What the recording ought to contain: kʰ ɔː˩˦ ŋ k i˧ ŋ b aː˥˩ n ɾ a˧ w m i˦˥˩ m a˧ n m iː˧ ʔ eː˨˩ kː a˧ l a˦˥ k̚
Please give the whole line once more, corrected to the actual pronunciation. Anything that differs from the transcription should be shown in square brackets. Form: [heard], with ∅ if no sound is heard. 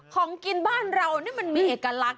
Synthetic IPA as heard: kʰ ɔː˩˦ ŋ k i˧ [n] b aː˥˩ n ɾ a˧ w [n] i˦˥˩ m a˧ n m iː˧ ʔ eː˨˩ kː a˧ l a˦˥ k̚